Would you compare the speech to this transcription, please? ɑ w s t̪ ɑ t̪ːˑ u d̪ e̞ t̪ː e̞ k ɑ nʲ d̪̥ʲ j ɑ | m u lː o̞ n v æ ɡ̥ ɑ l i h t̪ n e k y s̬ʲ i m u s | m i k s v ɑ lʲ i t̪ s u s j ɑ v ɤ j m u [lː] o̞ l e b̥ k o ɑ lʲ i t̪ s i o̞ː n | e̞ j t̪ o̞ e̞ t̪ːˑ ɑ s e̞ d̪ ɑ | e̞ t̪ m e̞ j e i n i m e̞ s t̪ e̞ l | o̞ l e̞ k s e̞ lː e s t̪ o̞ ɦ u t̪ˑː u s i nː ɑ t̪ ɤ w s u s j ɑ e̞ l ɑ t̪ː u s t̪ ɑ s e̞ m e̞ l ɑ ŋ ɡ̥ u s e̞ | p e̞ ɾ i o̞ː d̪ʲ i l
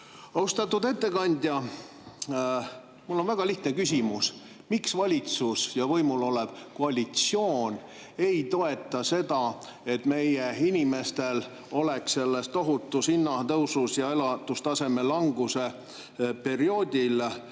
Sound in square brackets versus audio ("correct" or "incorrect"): incorrect